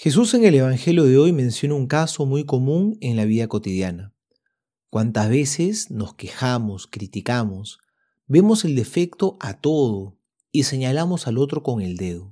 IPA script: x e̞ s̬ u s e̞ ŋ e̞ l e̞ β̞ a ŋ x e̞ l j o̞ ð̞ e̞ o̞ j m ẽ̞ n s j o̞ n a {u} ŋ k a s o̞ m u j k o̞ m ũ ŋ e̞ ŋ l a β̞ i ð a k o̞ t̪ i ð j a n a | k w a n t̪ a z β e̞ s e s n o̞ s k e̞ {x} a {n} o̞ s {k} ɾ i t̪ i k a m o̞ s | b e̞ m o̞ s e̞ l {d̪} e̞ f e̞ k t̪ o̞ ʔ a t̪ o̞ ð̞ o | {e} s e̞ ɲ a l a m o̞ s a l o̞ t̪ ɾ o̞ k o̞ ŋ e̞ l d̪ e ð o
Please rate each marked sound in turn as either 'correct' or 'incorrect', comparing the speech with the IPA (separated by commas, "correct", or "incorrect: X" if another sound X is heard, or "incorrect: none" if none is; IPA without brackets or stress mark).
correct, correct, incorrect: m, correct, correct, incorrect: i